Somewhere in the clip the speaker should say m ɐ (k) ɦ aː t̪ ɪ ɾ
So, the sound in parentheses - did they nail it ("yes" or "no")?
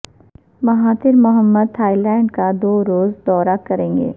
no